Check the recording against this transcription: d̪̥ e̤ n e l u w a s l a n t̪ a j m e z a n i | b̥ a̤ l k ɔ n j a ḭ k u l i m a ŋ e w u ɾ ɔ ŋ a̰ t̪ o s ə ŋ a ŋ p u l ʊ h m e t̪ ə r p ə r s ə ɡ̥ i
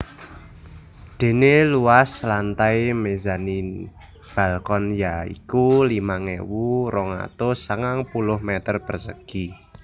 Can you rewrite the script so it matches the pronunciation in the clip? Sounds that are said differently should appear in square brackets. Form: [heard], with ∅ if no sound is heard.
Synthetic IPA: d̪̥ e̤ n e l u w a s l a n t̪ a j m e z a n i | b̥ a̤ l k ɔ n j a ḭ k u l i m a ŋ e w u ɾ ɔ ŋ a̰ t̪ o s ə ŋ a ŋ p u l ʊ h m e t̪ ə r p ə r s ə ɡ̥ i